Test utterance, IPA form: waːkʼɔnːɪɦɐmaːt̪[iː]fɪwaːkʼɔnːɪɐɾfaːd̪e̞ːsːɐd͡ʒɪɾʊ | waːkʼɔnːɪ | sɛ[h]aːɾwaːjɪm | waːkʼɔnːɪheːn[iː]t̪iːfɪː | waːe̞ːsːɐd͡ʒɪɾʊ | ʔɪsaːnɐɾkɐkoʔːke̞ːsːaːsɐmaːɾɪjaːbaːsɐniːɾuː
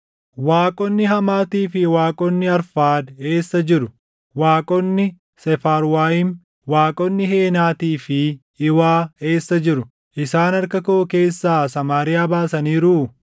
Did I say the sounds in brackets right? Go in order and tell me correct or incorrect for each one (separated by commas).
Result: correct, incorrect, incorrect